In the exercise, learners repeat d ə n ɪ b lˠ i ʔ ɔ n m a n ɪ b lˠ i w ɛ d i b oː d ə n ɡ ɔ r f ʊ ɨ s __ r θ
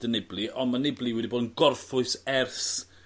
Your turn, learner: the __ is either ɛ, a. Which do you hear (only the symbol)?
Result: ɛ